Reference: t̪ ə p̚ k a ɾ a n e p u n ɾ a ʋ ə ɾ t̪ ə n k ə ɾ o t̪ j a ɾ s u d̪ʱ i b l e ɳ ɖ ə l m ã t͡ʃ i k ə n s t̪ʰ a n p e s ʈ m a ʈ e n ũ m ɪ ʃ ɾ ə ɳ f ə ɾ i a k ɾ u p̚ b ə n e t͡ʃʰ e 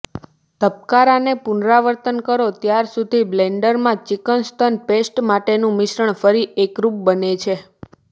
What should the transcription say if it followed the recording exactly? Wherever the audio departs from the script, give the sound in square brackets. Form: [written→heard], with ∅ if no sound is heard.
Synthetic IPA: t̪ ə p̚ k a ɾ a n e p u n ɾ a ʋ ə ɾ t̪ ə n k ə ɾ o t̪ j a ɾ s u d̪ʱ i b l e ɳ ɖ ə [l→ɾ] m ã t͡ʃ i k ə n s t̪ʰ [a→ə] n p e s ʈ m a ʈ e n ũ m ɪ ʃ ɾ ə ɳ f ə ɾ i [a→e] k ɾ u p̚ b ə n e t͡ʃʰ e

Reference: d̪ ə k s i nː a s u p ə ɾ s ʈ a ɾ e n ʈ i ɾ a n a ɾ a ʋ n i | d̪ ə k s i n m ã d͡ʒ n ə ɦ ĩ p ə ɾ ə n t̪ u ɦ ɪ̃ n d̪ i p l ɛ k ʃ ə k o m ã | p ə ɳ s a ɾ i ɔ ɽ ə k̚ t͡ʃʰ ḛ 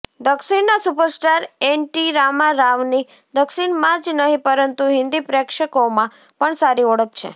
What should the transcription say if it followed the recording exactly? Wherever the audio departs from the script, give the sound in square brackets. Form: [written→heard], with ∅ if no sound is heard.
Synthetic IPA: d̪ ə k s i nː a s u p ə ɾ s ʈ a ɾ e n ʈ i ɾ a [n→m] a ɾ a ʋ n i | d̪ ə k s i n m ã d͡ʒ n ə ɦ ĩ p ə ɾ ə n t̪ u ɦ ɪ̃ n d̪ i p [l→ɾ] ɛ k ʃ ə k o m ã | p ə ɳ s a ɾ i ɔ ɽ ə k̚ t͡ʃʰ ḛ

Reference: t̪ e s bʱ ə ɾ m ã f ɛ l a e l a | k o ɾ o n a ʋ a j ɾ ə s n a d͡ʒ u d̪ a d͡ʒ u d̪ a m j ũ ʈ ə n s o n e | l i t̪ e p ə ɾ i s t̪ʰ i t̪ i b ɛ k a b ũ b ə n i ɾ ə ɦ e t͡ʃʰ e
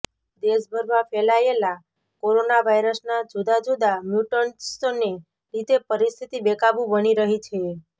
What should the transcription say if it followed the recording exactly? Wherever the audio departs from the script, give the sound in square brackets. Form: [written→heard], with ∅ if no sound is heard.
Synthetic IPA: [t̪→d̪] e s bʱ ə ɾ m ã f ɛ l a e l a | k o ɾ o n a ʋ a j ɾ ə s n a d͡ʒ u d̪ a d͡ʒ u d̪ a m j [ũ→u] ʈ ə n s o n e | [l→ɾ] i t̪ e p ə ɾ i s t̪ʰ i t̪ i b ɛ k a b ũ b ə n i ɾ ə ɦ [e→i] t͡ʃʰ e

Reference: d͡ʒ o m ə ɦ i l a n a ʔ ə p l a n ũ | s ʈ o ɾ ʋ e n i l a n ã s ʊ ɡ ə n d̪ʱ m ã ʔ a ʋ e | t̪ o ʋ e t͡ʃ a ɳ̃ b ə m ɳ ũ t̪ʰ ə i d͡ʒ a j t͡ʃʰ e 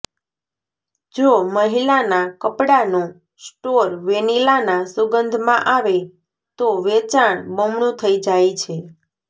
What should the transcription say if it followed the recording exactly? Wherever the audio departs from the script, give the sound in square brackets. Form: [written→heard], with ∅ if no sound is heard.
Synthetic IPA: d͡ʒ o m ə ɦ i l a n a [ʔ→k] ə p [l→ɽ] a n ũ | s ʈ o ɾ ʋ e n i l a n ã s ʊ ɡ ə n d̪ʱ m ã ʔ a ʋ e | t̪ o ʋ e t͡ʃ a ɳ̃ b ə m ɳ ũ t̪ʰ ə i d͡ʒ a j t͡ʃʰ e

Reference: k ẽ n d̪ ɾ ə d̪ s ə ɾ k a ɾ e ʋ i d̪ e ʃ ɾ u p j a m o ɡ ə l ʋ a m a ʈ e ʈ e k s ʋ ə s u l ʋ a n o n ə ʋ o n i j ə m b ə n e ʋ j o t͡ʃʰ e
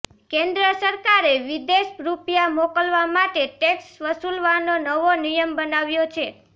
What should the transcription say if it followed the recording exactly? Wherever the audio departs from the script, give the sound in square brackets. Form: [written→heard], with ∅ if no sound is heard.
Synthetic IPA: k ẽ n d̪ ɾ ə [d̪→∅] s ə ɾ k a ɾ e ʋ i d̪ e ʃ ɾ u p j a m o [ɡ→k] ə l ʋ a m a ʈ e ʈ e k s ʋ ə s u l ʋ a n o n ə ʋ o n i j ə m b ə n [e→a] ʋ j o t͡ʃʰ e

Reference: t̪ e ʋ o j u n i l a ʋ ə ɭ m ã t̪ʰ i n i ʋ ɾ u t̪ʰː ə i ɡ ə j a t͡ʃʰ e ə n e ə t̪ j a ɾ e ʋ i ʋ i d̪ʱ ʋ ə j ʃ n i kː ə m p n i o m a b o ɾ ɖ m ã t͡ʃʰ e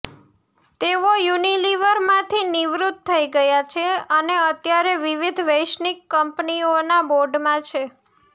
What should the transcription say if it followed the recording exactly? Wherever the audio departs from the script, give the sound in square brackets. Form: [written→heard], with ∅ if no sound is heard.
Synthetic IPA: t̪ e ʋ o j u n i l [a→i] ʋ ə [ɭ→ɾ] m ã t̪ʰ i n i ʋ ɾ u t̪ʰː ə i ɡ ə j a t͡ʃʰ e ə n e ə t̪ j a ɾ e ʋ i ʋ i d̪ʱ ʋ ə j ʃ n i kː ə m p n i o [m→n] a b o ɾ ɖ m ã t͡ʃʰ e

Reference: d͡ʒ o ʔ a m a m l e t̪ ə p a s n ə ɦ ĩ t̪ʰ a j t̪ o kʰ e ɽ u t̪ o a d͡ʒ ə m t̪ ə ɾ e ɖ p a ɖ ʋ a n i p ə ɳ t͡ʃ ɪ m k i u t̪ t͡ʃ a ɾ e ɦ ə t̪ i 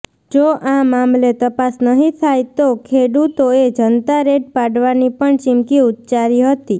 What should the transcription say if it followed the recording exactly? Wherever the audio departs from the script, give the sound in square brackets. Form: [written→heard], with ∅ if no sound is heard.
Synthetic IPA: d͡ʒ o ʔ a m a m l e t̪ ə p a s n ə ɦ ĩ t̪ʰ a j t̪ o kʰ e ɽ u t̪ o [a→e] d͡ʒ ə [m→n] t̪ [ə→a] ɾ e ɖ p a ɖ ʋ a n i p ə ɳ t͡ʃ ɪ m k i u t̪ t͡ʃ a ɾ [e→i] ɦ ə t̪ i

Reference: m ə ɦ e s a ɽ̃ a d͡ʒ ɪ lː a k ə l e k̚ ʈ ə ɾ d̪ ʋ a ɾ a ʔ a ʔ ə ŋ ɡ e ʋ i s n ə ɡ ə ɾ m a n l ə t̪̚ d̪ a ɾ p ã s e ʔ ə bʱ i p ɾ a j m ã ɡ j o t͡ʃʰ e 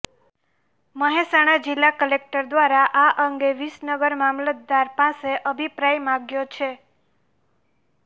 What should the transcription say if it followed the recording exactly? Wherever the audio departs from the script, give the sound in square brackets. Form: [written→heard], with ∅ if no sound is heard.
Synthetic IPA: m ə ɦ e s a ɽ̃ a d͡ʒ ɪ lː a k ə l e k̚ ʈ ə ɾ d̪ ʋ a ɾ a ʔ a ʔ ə ŋ ɡ e ʋ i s n ə ɡ ə ɾ m a [n→m] l ə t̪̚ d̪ a ɾ p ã s e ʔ ə bʱ i p ɾ a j m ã ɡ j o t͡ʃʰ e

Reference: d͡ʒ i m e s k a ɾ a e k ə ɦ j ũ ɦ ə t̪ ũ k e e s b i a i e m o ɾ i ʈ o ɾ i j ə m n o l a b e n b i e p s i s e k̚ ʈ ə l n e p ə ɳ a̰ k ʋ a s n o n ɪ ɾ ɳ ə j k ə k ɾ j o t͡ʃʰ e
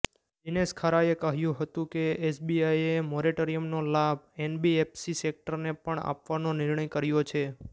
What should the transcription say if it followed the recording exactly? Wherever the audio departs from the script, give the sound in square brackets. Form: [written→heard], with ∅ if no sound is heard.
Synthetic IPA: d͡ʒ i [m→n] e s [k→kʰ] a ɾ a e k ə ɦ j ũ ɦ ə t̪ ũ k e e s b i a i e m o ɾ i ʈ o ɾ i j ə m n o l a b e n b i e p s i s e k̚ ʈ ə [l→ɾ] n e p ə ɳ a̰ [k→p] ʋ a [s→∅] n o n ɪ ɾ ɳ ə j k ə [k→∅] ɾ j o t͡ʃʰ e

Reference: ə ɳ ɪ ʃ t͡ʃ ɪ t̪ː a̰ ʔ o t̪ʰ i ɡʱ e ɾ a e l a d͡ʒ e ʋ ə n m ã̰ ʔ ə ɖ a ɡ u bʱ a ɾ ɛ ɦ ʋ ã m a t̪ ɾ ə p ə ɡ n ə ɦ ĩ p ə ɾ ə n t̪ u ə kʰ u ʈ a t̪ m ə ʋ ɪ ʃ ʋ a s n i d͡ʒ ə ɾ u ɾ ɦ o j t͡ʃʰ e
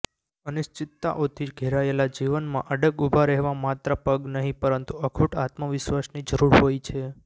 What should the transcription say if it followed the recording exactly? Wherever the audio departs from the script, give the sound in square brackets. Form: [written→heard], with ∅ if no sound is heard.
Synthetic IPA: ə [ɳ→n] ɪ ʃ t͡ʃ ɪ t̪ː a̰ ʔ o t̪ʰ i ɡʱ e ɾ a e l a d͡ʒ [e→i] ʋ ə n m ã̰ ʔ ə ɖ [a→ə] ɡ u bʱ a ɾ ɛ ɦ ʋ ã m a t̪ ɾ ə p ə ɡ n ə ɦ ĩ p ə ɾ ə n t̪ u ə kʰ u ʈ a t̪ m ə ʋ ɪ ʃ ʋ a s n i d͡ʒ ə ɾ u ɾ ɦ o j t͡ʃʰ e

